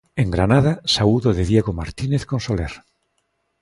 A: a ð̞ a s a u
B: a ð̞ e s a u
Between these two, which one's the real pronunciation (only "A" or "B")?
A